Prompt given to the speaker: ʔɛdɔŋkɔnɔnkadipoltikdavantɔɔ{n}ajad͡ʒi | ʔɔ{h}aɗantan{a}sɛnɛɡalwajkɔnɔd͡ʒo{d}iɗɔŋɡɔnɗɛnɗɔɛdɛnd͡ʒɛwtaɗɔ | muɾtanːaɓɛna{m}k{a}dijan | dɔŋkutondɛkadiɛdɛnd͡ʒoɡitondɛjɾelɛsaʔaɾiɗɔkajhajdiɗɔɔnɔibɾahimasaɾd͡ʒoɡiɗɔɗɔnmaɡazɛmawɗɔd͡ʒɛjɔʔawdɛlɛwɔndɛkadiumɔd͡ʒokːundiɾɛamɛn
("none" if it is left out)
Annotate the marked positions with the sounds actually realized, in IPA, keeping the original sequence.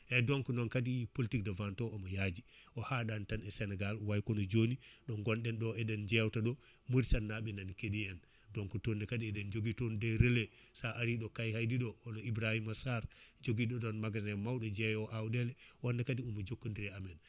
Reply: m, h, ɛ, n, n, e

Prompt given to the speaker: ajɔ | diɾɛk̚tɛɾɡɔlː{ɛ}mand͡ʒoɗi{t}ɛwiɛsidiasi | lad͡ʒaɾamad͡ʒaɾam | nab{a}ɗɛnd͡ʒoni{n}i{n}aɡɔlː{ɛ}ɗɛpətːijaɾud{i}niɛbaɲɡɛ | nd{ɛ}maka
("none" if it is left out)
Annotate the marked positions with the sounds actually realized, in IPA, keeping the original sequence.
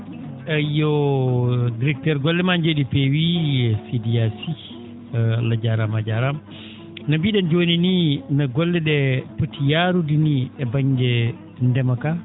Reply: ɛ, p, i, n, n, ɛ, i, ɛ

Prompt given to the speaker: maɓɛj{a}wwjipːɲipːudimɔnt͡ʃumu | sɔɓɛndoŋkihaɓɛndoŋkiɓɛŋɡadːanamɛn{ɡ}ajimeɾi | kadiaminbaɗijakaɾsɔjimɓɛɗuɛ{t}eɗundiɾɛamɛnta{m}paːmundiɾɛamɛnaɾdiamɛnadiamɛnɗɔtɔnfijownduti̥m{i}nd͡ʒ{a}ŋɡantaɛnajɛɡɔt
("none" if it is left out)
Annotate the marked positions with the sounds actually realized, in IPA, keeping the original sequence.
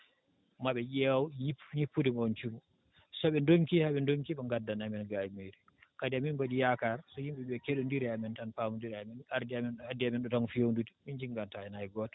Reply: ɛ, ɡ, k, n, i, i

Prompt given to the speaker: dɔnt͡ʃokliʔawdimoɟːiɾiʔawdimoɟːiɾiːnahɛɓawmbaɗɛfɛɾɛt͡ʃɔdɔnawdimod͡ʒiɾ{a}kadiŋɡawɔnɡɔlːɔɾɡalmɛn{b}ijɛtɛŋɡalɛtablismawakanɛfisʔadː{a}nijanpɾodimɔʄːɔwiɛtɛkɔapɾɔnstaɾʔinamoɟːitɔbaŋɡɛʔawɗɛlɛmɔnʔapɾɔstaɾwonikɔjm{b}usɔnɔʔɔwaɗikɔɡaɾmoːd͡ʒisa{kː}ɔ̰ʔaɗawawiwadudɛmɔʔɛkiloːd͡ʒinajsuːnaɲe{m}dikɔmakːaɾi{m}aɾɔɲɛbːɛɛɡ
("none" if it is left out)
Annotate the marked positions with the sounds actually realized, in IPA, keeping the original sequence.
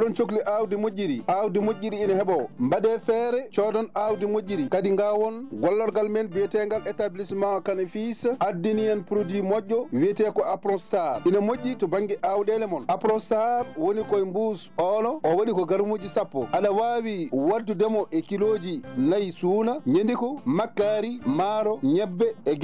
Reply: i, b, i, b, pː, n, m

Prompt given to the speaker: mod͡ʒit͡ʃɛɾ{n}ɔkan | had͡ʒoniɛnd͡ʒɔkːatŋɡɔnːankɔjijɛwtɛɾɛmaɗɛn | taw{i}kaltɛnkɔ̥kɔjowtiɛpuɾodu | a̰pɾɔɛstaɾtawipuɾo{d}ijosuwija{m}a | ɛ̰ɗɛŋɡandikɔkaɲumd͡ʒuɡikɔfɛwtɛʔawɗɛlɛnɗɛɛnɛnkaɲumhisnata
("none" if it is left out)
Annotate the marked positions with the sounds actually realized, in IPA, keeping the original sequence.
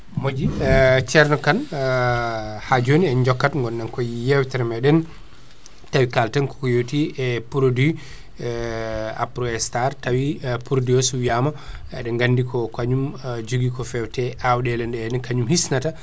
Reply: n, i, d, m

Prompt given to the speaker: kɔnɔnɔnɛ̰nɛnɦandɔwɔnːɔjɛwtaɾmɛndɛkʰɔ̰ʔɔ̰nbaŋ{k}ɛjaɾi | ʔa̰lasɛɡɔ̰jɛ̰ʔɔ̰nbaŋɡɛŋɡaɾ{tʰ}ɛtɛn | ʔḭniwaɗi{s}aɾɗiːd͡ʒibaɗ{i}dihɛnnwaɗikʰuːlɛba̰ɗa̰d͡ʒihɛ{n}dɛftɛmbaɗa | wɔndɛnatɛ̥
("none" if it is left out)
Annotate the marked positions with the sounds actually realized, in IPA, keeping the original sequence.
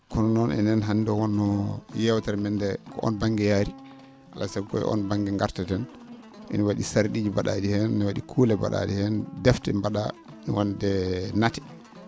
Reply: ɡ, t, s, a, n

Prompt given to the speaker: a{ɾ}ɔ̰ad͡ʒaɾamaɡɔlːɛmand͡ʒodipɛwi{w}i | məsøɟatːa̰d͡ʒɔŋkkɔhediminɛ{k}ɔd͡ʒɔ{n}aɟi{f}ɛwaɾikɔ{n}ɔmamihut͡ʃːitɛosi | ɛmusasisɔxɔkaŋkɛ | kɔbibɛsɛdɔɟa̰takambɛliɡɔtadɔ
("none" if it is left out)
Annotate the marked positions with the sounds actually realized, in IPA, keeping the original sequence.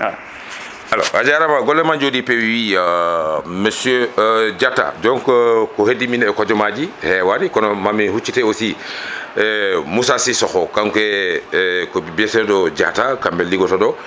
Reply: l, w, k, m, h, n

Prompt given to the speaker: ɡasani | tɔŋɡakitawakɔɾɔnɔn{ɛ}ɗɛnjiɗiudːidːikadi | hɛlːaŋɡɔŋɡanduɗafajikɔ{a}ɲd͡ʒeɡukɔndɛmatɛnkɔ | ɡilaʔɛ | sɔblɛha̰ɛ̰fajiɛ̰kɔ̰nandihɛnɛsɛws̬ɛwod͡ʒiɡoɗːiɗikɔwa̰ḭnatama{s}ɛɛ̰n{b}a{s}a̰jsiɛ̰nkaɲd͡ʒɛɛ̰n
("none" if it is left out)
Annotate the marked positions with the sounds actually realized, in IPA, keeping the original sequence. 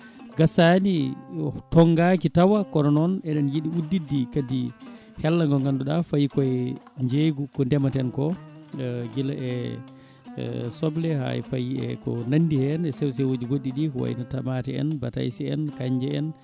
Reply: ɛ, ɛ, t, b, t

